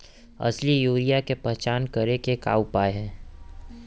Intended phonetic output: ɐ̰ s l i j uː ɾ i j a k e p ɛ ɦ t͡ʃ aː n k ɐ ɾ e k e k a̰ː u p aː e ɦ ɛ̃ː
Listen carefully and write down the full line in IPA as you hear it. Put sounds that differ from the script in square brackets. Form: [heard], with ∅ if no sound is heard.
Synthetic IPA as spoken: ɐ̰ s l i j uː ɾ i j a k e p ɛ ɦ t͡ʃ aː n k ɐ ɾ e k e k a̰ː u p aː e ɦ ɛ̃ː